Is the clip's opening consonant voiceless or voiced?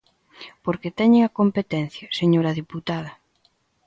voiceless